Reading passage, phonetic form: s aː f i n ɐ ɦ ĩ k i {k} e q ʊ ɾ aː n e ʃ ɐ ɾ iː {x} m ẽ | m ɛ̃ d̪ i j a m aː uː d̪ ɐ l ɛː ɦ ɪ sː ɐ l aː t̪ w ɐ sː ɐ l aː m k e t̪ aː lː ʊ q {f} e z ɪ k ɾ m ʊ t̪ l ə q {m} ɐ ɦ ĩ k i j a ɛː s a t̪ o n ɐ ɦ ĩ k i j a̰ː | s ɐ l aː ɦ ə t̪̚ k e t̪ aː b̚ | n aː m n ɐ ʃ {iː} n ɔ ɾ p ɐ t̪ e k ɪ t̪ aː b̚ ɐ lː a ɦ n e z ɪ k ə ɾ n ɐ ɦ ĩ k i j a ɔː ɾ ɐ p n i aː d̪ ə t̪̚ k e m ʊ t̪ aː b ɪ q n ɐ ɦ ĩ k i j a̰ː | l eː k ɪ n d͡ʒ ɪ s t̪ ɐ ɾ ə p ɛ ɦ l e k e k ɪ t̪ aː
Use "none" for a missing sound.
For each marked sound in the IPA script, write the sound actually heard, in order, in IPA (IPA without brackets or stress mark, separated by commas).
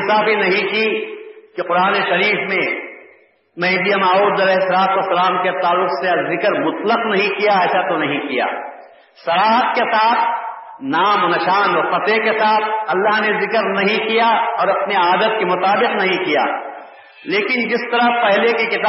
k, f, s, n, aː